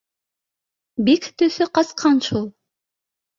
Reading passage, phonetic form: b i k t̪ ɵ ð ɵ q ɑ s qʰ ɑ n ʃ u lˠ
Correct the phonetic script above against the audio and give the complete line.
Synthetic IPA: b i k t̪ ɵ θ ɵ q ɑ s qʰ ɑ n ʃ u lˠ